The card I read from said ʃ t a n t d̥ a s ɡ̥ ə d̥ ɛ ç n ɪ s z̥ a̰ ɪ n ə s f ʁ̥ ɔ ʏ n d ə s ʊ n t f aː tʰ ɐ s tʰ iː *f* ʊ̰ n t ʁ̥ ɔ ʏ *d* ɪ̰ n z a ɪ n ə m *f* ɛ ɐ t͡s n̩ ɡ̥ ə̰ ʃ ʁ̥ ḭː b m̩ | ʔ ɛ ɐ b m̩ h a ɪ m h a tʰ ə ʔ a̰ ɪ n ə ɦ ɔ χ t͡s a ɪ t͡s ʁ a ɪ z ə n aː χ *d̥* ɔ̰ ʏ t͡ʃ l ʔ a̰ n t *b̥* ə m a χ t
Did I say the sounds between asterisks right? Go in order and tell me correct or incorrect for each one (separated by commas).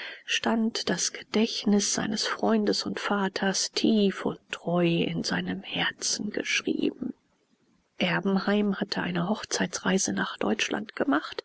correct, incorrect, incorrect, correct, incorrect